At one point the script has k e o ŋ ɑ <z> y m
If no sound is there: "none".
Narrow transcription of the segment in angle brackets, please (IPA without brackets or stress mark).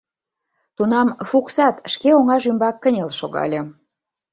ʒ